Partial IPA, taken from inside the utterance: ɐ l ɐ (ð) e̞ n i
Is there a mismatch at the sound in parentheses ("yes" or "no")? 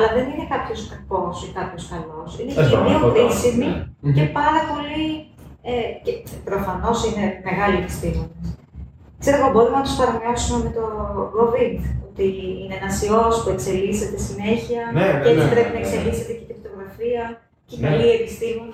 no